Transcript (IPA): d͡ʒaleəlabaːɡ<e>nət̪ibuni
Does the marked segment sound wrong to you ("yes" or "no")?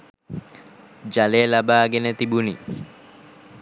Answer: no